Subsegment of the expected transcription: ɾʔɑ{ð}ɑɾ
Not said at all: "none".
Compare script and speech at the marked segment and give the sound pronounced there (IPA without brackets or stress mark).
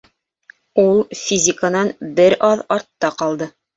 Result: ð